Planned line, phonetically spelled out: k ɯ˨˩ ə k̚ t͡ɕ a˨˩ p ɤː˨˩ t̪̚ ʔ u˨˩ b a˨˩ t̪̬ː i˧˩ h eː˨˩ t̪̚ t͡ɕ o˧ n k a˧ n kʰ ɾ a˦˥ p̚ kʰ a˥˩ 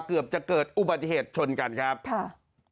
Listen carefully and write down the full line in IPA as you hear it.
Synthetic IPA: k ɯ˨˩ ə p̚ t͡ɕ a˨˩ k ɤː˨˩ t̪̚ ʔ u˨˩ b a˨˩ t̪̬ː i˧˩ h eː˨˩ t̪̚ t͡ɕʰ o˧ n k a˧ n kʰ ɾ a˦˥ p̚ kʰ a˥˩